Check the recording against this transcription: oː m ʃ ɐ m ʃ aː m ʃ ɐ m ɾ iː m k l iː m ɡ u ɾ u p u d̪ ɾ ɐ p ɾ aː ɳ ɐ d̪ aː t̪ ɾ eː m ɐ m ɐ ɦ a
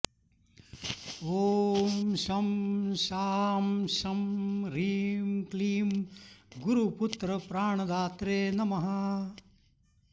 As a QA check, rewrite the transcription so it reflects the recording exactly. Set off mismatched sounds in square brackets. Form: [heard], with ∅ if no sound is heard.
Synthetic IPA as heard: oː m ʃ ɐ m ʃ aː m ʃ ɐ m ɾ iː m k l iː m ɡ u ɾ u p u [t̪] ɾ ɐ p ɾ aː ɳ ɐ d̪ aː t̪ ɾ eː [n] ɐ m ɐ ɦ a